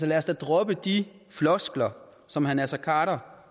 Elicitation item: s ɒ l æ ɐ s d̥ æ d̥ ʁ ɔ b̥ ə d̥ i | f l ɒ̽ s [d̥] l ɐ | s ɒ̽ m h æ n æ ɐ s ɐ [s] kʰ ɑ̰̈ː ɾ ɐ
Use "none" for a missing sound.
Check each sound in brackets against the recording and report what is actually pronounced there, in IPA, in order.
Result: ɡ̥, none

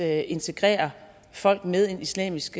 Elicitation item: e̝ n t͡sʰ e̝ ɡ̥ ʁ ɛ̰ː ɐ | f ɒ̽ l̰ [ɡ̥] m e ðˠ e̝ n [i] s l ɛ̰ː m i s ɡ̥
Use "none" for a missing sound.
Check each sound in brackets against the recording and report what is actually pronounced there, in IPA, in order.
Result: ɡ̥, i

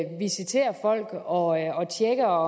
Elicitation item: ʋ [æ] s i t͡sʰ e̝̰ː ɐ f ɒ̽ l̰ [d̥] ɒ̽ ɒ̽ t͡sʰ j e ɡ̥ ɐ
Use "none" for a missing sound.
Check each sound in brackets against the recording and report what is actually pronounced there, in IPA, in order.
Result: i, ɡ̥

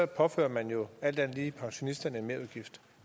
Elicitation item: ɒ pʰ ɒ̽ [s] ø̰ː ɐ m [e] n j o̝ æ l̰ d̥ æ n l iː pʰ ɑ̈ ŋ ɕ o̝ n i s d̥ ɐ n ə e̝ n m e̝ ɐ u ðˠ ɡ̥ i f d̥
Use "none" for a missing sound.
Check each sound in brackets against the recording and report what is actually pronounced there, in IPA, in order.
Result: f, æ

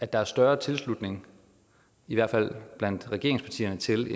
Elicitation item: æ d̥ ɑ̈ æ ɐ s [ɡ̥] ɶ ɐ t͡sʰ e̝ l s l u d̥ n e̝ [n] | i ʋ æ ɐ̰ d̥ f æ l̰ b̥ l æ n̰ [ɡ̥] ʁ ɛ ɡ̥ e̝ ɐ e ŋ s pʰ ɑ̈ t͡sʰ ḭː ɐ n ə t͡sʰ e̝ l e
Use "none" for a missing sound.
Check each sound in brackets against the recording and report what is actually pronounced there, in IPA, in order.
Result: d̥, ŋ, d̥

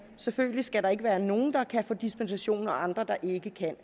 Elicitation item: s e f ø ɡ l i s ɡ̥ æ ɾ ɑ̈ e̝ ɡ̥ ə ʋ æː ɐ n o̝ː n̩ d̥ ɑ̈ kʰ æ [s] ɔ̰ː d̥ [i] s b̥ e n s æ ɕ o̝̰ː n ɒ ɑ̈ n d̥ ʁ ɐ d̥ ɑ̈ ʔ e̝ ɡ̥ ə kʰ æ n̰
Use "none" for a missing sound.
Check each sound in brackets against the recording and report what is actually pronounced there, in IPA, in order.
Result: f, i

